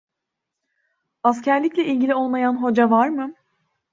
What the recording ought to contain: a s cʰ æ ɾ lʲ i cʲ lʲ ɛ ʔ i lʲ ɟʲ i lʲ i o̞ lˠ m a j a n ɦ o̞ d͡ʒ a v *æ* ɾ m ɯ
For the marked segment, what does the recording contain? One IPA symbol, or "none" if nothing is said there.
a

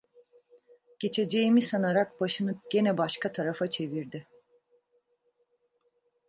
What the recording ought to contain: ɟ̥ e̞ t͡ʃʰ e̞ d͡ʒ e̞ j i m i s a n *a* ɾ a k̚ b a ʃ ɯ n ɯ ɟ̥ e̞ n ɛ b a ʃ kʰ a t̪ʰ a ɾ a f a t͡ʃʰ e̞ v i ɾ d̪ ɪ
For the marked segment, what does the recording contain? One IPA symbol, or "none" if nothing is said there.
a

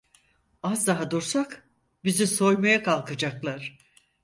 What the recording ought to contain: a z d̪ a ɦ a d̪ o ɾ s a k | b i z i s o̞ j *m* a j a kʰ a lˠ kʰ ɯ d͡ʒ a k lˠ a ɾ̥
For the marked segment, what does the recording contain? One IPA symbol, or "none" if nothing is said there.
m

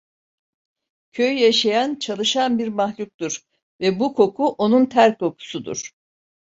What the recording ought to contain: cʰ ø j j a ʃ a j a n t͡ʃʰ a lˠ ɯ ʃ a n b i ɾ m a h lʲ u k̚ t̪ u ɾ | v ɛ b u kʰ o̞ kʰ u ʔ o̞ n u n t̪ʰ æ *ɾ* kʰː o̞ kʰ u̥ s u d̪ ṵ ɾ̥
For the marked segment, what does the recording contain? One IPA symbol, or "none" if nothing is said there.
ɾ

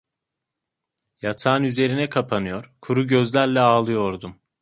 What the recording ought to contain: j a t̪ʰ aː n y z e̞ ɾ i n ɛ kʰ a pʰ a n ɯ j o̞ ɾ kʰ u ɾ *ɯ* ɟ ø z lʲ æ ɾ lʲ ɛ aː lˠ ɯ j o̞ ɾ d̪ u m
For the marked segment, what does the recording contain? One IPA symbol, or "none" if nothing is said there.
u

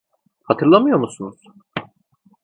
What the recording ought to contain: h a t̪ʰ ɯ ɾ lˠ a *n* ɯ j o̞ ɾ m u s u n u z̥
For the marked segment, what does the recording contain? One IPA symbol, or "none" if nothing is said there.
m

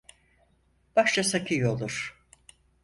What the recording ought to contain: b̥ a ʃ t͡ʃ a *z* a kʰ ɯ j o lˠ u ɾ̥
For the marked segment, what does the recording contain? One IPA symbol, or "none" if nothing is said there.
s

